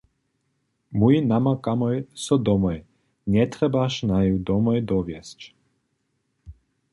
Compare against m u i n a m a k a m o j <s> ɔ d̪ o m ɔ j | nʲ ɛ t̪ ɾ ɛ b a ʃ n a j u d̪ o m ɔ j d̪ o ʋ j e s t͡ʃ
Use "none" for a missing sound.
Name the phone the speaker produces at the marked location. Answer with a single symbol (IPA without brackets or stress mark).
s